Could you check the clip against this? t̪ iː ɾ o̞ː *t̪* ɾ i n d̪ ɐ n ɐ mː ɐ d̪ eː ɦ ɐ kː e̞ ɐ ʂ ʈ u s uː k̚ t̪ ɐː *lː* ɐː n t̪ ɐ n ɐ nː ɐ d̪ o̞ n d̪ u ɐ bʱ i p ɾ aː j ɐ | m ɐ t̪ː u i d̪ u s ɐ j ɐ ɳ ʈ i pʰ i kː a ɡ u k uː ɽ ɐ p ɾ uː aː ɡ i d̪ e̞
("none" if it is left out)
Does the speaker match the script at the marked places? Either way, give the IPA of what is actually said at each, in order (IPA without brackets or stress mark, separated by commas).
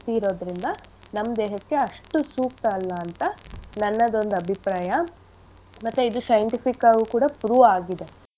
d̪, lː